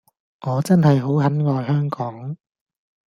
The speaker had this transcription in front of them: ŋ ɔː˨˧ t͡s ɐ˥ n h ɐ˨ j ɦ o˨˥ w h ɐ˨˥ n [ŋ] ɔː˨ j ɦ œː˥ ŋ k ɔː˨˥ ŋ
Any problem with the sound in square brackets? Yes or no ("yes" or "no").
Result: no